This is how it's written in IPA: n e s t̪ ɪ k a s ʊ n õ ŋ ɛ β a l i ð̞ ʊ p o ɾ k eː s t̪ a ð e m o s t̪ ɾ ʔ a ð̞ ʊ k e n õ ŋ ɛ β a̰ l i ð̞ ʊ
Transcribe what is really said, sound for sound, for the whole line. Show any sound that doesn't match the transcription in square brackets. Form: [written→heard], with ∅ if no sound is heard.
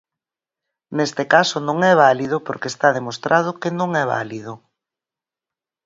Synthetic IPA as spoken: n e s t̪ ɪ k a s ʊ n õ ŋ ɛ β a l i ð̞ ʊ p o ɾ k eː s t̪ a ð e m o s t̪ ɾ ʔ a ð̞ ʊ k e n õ ŋ ɛ β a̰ l i ð̞ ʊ